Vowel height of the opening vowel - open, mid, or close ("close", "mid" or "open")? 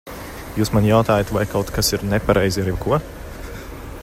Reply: close